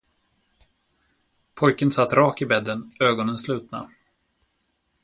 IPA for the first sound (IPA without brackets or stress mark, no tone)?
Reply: pʰ